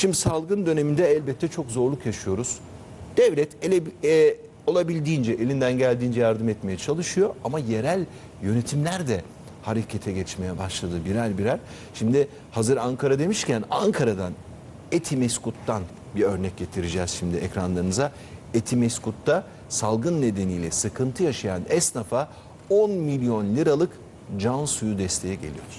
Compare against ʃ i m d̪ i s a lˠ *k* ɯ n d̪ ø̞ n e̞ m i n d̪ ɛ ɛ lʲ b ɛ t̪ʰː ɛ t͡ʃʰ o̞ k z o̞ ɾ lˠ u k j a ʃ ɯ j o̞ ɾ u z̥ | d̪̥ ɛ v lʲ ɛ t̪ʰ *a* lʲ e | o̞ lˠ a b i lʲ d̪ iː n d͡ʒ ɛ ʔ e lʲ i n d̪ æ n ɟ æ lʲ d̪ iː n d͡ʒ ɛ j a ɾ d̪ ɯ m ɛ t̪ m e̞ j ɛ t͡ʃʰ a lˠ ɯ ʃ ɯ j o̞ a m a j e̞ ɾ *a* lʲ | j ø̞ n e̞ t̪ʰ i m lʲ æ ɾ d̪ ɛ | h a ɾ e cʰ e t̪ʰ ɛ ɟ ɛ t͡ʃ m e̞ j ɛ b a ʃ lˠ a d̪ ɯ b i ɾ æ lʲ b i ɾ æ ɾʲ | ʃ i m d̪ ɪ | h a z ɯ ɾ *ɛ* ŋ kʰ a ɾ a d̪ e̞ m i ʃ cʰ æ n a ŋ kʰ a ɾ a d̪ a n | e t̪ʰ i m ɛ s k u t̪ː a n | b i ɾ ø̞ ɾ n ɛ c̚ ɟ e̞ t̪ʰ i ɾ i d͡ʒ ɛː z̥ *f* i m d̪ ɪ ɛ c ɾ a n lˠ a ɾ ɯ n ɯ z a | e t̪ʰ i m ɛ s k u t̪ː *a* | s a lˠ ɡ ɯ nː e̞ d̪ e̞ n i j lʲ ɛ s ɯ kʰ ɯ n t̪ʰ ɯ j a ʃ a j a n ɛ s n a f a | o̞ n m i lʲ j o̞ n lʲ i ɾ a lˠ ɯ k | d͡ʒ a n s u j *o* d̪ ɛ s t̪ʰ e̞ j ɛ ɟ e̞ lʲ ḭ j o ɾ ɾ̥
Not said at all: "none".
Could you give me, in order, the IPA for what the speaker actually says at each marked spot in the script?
ɡ, e, æ, a, ʃ, a, u

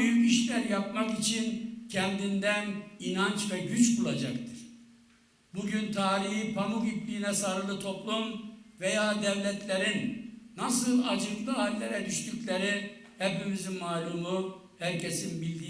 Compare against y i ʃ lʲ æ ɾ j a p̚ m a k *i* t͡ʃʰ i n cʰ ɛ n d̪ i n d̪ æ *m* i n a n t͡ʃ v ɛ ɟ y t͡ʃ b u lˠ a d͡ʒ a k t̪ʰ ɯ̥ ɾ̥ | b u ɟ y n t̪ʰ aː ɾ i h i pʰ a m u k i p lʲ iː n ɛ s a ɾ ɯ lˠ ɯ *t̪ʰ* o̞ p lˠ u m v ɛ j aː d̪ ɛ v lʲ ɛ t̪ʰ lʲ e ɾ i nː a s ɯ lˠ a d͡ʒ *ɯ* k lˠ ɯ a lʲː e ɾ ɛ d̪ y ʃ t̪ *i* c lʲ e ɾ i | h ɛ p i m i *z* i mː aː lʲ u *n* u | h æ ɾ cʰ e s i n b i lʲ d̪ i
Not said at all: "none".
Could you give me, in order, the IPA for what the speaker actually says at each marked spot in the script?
i, n, t̪ʰ, ɯ, y, z, m

